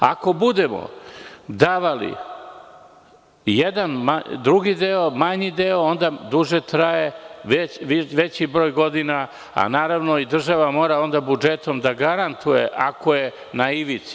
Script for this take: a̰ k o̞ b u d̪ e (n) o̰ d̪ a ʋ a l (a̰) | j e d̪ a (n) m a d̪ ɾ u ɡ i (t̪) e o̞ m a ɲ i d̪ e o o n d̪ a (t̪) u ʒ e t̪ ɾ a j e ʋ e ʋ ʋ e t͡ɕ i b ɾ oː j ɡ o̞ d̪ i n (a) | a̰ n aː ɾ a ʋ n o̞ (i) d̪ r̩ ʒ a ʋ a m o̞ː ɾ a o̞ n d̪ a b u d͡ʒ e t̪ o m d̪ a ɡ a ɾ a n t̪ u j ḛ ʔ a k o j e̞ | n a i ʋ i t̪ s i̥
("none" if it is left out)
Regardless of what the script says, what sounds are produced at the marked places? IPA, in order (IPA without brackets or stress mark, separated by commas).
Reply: m, ḭ, n, d̪, d̪, a, i